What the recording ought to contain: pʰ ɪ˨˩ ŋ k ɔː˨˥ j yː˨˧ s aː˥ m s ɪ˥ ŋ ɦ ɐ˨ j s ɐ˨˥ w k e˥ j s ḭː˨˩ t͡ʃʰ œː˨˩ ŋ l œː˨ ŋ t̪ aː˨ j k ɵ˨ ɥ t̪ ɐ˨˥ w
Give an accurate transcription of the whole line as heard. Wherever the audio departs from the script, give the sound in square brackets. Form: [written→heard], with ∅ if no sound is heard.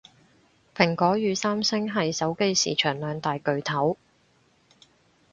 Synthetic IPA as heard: pʰ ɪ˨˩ ŋ k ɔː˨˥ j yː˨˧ s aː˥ m s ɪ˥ ŋ ɦ ɐ˨ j s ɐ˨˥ w k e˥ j s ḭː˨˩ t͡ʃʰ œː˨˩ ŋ l œː˨ ŋ t̪ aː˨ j k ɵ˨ ɥ [t̪→t̪ʰ] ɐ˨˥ w